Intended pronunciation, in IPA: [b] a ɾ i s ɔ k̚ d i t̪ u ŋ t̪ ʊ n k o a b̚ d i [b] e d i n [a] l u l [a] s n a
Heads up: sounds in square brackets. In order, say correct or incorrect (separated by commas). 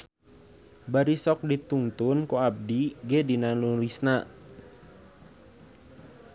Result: correct, incorrect, correct, incorrect